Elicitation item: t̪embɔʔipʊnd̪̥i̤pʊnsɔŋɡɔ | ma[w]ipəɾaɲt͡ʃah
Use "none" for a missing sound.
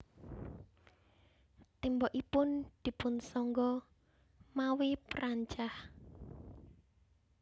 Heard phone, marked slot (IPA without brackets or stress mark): w